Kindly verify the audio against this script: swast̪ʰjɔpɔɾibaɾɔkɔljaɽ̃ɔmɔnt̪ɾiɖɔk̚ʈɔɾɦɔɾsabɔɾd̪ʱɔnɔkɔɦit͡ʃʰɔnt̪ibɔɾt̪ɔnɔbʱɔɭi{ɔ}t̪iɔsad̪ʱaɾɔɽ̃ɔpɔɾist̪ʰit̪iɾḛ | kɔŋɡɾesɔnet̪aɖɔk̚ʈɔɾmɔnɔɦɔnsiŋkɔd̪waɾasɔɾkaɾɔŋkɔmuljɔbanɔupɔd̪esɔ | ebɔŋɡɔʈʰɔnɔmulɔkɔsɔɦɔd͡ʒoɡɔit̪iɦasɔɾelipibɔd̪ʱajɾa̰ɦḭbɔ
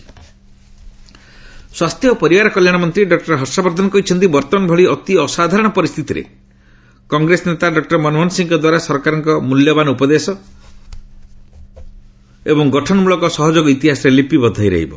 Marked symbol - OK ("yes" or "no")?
yes